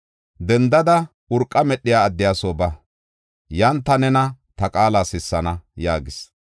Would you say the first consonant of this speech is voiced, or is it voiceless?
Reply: voiced